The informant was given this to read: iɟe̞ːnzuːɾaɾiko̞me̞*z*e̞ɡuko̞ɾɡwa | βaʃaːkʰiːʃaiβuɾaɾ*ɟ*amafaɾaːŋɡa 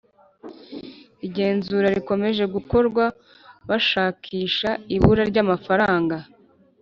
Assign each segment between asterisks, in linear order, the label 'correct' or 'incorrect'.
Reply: incorrect: ʒ, correct

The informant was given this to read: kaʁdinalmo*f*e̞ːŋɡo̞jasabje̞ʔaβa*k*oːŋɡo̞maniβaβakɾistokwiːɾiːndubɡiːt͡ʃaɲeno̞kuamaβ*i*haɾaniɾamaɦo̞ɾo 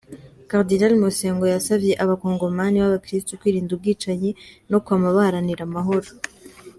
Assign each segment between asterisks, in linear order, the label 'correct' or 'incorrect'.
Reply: incorrect: s, correct, incorrect: a

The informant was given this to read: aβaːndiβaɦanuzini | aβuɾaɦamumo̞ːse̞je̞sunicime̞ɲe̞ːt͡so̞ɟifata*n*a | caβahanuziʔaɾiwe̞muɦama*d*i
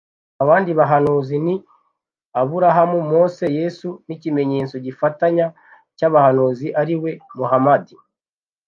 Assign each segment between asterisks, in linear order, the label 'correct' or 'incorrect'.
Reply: incorrect: ɲ, correct

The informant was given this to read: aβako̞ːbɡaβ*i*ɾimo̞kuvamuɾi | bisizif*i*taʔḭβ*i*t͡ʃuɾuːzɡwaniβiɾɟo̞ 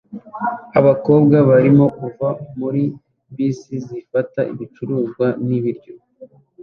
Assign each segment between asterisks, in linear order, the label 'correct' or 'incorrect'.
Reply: incorrect: a, incorrect: a, correct

